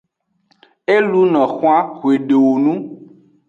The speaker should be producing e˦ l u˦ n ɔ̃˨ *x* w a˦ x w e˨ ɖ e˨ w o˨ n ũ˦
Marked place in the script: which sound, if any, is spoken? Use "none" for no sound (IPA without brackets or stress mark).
x